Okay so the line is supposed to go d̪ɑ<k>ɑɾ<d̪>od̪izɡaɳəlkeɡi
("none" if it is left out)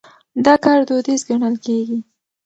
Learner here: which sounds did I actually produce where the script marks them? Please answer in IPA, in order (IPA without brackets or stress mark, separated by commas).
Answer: k, d̪